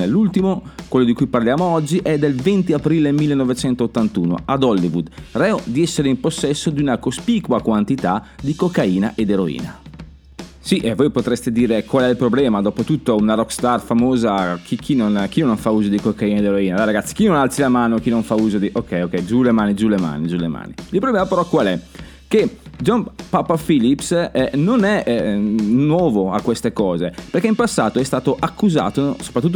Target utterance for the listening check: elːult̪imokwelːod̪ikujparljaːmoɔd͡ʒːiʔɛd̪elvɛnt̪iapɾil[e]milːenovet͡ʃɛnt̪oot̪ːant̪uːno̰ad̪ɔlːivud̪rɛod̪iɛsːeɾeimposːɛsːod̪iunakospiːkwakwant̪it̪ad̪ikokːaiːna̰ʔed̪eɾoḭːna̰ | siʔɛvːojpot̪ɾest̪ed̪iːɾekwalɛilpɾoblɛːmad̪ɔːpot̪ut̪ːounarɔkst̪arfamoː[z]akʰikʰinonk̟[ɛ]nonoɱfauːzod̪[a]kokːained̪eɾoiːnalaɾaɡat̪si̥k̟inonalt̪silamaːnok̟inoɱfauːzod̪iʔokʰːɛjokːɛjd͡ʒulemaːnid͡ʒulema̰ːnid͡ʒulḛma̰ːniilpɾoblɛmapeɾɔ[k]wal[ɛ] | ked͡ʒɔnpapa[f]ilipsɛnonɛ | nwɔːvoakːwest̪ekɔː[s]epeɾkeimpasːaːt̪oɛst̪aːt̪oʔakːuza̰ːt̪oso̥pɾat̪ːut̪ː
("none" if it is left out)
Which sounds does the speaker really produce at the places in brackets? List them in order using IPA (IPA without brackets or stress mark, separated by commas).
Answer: e, z, i, i, k, ɛ, f, z